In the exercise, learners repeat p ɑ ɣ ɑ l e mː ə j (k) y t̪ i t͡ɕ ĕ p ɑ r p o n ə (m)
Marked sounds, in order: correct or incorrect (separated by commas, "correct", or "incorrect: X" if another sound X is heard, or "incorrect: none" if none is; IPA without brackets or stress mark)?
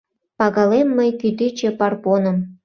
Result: correct, correct